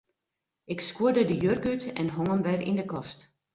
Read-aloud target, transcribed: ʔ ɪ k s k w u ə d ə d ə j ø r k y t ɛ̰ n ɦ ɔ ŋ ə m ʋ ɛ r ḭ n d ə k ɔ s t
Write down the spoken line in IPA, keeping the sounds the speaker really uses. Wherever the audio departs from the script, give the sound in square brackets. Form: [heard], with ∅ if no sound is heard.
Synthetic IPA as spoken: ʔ ɪ k s k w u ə d ə d ə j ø r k y t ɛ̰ n ɦ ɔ ŋ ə m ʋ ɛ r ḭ n d ə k ɔ s t